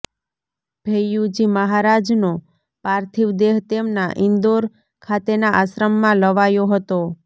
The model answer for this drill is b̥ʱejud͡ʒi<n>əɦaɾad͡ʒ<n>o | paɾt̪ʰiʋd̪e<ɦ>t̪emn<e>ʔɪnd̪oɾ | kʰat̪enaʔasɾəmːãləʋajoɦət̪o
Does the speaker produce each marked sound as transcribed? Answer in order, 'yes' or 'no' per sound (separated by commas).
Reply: no, yes, yes, no